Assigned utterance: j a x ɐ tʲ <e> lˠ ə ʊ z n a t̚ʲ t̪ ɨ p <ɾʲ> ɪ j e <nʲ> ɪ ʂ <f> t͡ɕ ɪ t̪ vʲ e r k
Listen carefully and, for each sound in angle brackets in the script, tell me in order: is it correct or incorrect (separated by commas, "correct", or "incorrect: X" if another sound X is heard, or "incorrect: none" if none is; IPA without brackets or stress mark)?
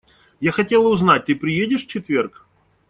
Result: correct, correct, incorrect: dʲ, correct